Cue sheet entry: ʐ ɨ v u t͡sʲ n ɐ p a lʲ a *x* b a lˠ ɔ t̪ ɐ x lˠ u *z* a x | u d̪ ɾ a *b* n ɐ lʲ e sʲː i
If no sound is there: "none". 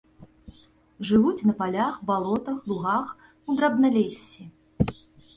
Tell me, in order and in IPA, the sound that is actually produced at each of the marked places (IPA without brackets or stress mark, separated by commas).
x, ɣ, b